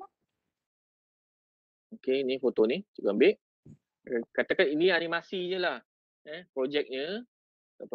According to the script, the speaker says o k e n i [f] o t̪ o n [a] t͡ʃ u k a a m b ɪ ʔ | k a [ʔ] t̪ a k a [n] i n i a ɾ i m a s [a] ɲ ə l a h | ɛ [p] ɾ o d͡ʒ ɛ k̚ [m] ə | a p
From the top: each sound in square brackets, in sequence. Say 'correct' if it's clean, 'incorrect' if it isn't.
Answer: correct, incorrect: i, incorrect: none, correct, incorrect: i, correct, incorrect: ɲ

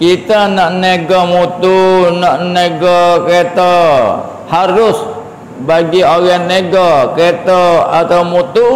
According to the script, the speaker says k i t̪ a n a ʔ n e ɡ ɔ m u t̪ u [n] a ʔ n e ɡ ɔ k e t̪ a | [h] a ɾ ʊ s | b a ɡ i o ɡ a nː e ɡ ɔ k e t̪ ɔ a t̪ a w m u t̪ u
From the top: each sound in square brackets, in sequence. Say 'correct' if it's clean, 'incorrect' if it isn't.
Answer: correct, correct

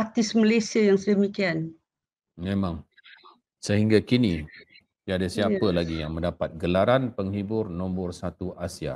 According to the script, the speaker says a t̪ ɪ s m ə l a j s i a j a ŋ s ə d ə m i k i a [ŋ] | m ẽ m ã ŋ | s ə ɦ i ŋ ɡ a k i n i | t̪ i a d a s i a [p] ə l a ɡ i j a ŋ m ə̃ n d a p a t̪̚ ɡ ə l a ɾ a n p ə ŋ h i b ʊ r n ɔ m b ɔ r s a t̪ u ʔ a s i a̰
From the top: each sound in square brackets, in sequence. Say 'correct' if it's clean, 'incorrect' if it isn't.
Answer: incorrect: n, correct

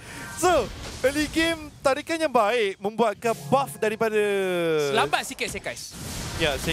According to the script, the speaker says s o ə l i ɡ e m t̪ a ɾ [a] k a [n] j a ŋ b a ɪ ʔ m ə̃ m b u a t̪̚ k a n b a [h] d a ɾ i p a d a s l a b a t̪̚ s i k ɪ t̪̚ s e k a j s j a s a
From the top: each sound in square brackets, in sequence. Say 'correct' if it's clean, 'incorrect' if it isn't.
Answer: incorrect: i, correct, incorrect: f

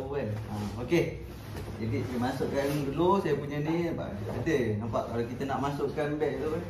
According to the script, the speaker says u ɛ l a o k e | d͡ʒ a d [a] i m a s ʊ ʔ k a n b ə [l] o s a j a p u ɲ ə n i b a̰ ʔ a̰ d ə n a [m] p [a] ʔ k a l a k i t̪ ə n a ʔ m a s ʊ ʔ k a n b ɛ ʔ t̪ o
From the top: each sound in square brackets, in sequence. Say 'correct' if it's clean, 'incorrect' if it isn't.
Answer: incorrect: i, correct, correct, correct

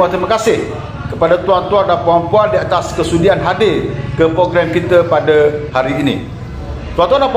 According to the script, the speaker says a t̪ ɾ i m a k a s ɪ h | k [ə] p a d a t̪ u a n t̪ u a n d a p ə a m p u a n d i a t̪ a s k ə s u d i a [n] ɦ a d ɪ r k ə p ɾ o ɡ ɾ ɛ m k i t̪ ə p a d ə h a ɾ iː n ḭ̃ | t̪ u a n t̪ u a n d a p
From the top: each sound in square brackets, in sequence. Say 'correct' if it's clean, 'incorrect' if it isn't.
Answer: correct, correct

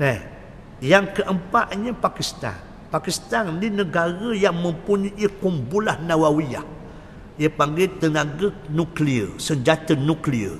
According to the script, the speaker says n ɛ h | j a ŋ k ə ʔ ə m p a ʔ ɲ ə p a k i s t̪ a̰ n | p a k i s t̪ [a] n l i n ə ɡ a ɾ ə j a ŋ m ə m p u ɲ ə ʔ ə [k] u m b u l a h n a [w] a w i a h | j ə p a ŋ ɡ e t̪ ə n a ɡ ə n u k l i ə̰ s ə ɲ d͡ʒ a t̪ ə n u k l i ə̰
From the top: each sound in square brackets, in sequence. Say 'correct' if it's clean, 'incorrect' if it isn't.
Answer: correct, correct, correct

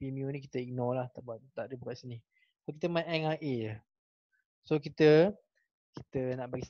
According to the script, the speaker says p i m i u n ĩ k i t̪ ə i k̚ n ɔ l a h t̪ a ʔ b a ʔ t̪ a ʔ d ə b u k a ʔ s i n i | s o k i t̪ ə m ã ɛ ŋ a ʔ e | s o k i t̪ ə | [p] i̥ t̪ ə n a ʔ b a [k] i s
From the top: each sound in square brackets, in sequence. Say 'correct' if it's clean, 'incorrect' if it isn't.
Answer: incorrect: k, incorrect: ɡ

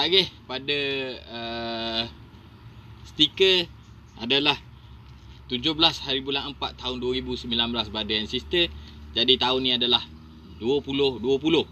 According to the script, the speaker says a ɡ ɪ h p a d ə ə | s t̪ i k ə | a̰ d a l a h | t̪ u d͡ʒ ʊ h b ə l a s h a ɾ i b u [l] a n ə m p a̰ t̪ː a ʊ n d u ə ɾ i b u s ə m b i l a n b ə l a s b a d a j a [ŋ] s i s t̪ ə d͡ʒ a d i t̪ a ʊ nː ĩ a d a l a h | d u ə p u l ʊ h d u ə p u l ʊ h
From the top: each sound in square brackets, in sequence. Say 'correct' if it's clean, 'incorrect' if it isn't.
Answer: correct, incorrect: n

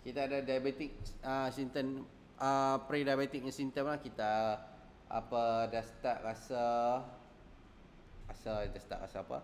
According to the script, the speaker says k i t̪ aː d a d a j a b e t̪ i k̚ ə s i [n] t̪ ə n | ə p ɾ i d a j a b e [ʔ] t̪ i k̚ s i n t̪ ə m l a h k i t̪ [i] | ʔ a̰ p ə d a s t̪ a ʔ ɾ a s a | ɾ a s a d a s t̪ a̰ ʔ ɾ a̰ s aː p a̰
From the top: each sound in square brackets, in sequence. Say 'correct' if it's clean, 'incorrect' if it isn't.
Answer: correct, incorrect: none, incorrect: a

